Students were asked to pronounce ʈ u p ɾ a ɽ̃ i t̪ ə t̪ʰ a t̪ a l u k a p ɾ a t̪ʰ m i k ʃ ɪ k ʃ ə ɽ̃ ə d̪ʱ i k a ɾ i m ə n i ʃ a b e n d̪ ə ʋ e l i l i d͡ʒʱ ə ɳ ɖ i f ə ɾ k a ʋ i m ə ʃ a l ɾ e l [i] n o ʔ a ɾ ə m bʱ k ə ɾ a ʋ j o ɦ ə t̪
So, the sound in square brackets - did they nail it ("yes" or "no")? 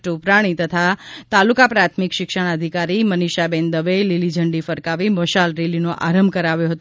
yes